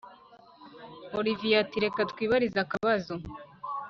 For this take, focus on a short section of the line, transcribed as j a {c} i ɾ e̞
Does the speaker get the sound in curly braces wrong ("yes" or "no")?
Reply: yes